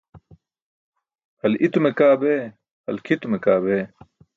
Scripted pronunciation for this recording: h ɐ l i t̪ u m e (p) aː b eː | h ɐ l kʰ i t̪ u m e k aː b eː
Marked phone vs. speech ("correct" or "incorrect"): incorrect